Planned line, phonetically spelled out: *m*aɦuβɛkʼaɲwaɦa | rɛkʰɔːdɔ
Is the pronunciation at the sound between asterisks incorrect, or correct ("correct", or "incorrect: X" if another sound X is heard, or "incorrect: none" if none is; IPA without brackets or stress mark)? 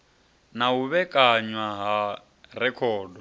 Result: incorrect: n